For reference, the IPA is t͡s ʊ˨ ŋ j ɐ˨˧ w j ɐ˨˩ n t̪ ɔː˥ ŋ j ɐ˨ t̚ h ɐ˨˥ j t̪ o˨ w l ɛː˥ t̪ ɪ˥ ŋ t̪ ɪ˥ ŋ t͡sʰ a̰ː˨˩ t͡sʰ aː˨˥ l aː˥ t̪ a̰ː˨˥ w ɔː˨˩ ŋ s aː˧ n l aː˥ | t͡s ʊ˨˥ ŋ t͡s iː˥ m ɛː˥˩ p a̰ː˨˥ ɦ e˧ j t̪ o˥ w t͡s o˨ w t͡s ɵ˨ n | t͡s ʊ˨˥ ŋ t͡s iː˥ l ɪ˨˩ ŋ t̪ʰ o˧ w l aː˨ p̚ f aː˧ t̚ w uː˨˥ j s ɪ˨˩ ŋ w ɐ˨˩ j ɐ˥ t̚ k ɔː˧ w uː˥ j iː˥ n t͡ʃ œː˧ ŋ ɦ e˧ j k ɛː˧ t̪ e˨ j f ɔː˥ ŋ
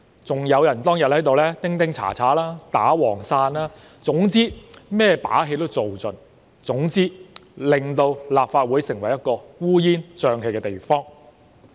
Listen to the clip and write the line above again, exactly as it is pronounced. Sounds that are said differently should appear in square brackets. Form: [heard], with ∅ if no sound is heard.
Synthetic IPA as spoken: t͡s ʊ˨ ŋ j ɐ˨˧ w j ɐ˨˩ n t̪ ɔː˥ ŋ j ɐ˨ t̚ h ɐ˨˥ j t̪ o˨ w l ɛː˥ t̪ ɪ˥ ŋ t̪ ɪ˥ ŋ t͡sʰ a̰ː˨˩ t͡sʰ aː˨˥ l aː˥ t̪ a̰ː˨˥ w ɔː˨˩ ŋ s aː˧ n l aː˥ | t͡s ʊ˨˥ ŋ t͡s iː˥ m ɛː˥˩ p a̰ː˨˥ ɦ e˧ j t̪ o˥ w t͡s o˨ w t͡s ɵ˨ n | t͡s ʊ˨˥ ŋ t͡s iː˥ l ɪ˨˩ ŋ [t̪] o˧ w l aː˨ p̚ f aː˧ t̚ w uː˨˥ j s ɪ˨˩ ŋ w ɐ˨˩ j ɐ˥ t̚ k ɔː˧ w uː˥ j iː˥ n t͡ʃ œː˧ ŋ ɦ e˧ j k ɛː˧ t̪ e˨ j f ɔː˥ ŋ